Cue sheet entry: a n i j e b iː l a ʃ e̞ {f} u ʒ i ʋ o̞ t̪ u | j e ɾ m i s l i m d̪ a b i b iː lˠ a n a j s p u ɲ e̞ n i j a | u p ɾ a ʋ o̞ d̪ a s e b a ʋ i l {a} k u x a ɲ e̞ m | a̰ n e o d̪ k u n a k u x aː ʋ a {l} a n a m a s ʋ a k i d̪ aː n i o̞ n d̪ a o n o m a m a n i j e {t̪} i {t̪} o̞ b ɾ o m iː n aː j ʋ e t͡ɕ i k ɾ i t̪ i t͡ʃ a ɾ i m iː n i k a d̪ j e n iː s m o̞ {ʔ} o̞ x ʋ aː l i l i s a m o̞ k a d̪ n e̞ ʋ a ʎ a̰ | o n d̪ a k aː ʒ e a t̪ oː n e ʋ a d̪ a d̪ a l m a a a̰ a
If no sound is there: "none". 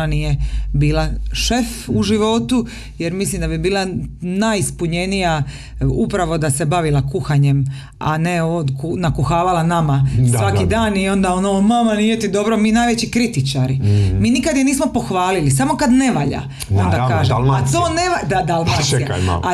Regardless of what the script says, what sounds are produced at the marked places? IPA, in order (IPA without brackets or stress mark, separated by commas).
f, a, l, t̪, d̪, p